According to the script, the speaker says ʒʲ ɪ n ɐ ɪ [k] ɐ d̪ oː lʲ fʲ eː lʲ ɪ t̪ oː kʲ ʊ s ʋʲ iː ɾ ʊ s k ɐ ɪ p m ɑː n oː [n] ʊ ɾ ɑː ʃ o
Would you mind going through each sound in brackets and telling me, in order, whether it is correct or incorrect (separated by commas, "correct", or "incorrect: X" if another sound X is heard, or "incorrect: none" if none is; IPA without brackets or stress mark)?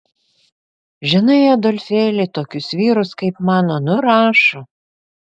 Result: incorrect: none, correct